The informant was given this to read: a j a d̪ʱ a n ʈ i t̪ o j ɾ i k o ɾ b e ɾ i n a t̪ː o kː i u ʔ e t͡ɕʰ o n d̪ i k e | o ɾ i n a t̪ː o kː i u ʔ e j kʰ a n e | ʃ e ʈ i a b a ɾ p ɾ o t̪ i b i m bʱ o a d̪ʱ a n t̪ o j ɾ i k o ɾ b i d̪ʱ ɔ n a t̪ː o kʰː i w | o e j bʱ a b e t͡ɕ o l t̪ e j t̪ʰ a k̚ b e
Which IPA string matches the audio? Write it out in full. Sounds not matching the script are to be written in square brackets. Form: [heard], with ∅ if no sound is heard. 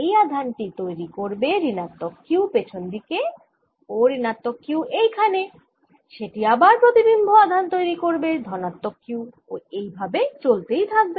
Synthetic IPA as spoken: [e] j a d̪ʱ a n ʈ i t̪ o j ɾ i k o ɾ b e ɾ i n a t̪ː o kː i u [p] e t͡ɕʰ o n d̪ i k e | o ɾ i n a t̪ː o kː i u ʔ e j kʰ a n e | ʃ e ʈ i a b a ɾ p ɾ o t̪ i b i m bʱ o a d̪ʱ a n t̪ o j ɾ i k o ɾ b [e] d̪ʱ ɔ n a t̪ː o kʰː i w | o e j bʱ a b e t͡ɕ o l t̪ e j t̪ʰ a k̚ b e